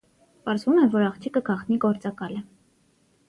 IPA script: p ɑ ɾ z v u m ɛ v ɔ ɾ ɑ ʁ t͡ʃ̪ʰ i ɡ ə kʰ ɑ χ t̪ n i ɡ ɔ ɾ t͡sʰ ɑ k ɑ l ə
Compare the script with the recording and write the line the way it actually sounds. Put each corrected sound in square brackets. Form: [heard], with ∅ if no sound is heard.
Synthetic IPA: p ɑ ɾ z v u m ɛ v ɔ ɾ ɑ [χ] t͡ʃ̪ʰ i [k] ə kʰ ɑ χ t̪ n i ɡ ɔ ɾ [t͡s] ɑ k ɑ l ə